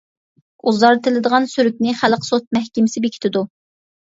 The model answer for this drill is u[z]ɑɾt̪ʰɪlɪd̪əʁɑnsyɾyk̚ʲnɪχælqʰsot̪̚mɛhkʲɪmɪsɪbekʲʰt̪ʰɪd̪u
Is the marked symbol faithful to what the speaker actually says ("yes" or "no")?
yes